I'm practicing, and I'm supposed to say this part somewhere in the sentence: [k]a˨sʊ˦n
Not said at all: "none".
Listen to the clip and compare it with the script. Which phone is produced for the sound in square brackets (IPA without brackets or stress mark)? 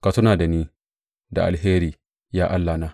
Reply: k